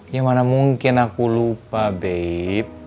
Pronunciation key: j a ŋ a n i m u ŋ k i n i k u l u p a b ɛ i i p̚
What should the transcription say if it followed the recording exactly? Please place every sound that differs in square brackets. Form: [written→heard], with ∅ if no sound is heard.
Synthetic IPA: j a [ŋ→m] a n [i→a] m u ŋ k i n [i→a] k u l u p a b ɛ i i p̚